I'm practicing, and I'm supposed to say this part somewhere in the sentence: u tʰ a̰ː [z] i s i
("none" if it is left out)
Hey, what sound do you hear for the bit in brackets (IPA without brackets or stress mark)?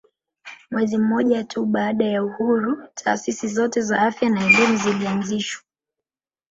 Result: s